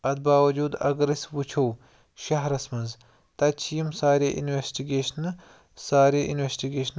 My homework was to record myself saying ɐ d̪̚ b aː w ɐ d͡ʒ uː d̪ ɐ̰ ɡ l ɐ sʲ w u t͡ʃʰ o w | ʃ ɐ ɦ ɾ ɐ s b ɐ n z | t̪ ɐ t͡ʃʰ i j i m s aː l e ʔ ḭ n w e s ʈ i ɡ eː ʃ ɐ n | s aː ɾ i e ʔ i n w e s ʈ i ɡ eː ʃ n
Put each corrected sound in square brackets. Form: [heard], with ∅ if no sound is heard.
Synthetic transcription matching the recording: ɐ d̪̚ b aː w ɐ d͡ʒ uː d̪ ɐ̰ ɡ [ɾ] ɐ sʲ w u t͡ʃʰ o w | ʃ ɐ ɦ ɾ ɐ s [m] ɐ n z | t̪ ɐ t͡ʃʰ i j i m s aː [ɾ] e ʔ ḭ n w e s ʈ i ɡ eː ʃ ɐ n | s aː ɾ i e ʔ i n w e s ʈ i ɡ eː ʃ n

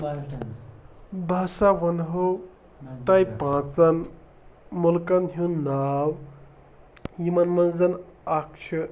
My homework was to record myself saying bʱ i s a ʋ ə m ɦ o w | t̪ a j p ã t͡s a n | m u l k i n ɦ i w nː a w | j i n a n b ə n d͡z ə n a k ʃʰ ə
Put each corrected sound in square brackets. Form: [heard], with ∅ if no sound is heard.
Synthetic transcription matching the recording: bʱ [a] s a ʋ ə [n] ɦ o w | t̪ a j p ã t͡s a n | m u l k [a] n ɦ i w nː a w | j i [m] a n [m] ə n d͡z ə n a k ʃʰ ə

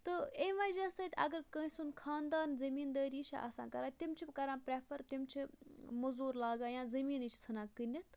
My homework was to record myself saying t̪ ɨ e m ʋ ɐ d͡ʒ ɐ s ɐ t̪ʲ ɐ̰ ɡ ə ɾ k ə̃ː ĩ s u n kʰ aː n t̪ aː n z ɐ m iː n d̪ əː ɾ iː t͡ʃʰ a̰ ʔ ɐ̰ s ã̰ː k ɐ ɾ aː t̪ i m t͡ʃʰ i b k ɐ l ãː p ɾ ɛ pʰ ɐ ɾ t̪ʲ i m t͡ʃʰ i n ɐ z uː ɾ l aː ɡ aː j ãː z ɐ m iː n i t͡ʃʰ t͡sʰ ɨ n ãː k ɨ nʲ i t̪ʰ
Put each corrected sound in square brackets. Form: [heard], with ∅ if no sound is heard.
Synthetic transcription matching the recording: t̪ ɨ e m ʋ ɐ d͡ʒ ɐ s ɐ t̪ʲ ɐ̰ ɡ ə ɾ k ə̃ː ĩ s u n kʰ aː n [d̪] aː n z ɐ m iː n d̪ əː ɾ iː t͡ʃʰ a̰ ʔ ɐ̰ s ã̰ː k ɐ ɾ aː t̪ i m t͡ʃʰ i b k ɐ [ɾ] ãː p ɾ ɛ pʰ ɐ ɾ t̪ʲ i m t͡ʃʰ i [m] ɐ z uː ɾ l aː ɡ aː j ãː z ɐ m iː n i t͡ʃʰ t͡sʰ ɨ n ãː k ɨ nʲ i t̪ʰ

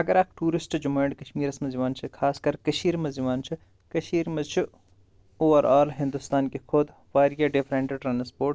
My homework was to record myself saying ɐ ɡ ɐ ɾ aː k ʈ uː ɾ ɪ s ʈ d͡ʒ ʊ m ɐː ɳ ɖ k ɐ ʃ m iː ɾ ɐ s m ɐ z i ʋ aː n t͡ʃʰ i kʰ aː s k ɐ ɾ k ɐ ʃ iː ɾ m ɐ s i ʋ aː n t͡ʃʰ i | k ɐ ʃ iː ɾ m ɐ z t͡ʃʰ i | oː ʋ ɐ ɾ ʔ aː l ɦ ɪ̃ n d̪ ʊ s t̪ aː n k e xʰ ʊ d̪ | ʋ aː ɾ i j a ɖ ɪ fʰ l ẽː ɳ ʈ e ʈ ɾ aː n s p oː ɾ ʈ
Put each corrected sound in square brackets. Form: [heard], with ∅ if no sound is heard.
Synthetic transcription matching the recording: ɐ ɡ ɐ ɾ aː k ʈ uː ɾ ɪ s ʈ d͡ʒ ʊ m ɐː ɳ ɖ k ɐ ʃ m iː ɾ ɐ s m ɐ z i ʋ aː n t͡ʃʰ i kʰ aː s k ɐ ɾ k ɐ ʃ iː ɾ m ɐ [z] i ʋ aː n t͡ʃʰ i | k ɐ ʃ iː ɾ m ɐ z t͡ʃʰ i | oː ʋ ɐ ɾ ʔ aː l ɦ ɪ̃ n d̪ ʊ s t̪ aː n k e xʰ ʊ d̪ | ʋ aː ɾ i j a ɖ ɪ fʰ [ɾ] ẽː ɳ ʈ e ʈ ɾ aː n s p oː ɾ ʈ

